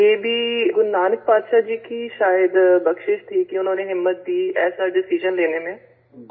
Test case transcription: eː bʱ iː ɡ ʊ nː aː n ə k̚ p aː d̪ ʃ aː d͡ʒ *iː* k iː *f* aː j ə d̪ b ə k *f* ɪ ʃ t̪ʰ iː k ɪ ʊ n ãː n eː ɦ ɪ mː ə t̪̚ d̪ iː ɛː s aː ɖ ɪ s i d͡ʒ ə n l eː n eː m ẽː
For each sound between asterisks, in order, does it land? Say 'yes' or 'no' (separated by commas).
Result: yes, no, no